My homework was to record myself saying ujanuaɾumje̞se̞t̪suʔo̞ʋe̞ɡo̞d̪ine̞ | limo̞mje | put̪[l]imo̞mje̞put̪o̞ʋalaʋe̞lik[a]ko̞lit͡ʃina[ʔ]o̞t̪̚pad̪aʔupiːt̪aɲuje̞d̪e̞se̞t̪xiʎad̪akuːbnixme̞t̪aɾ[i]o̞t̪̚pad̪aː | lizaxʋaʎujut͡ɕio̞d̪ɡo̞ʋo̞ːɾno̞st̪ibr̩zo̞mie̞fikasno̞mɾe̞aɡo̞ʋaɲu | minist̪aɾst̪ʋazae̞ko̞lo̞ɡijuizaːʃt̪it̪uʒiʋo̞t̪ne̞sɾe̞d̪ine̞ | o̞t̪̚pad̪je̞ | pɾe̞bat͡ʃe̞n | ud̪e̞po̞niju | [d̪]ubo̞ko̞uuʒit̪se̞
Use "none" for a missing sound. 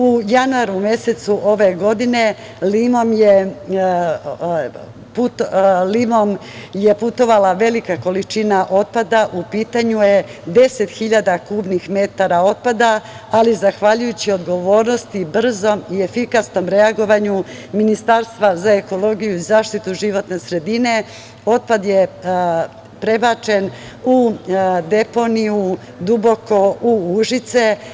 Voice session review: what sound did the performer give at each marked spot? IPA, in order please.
l, a, ʔ, a, d̪

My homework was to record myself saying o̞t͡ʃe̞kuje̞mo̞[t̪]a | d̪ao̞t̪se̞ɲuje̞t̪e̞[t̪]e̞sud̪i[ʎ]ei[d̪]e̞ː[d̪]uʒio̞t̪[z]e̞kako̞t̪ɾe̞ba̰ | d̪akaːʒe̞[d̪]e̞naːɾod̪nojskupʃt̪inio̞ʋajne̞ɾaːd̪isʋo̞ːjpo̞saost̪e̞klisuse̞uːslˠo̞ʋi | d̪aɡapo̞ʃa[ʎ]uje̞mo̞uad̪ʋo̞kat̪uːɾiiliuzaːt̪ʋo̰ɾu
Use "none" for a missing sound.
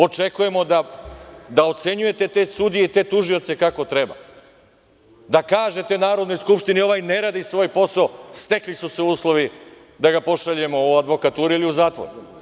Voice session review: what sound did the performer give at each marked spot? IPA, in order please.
d̪, t̪, j, t̪, t̪, s, t̪, ʎ

